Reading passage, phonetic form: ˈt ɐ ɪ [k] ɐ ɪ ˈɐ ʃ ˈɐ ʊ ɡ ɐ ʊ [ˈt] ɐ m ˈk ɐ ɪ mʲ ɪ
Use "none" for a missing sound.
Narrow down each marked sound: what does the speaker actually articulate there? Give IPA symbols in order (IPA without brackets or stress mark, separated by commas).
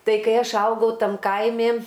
k, t